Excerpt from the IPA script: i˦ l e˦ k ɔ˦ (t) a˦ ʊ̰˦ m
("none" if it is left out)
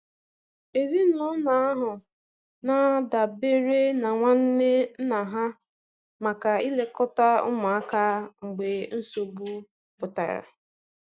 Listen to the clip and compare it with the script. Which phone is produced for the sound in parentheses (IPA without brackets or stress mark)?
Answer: t